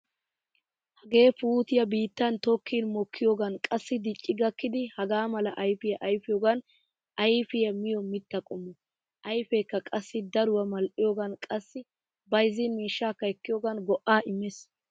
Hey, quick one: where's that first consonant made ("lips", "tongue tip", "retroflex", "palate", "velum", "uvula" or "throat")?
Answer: throat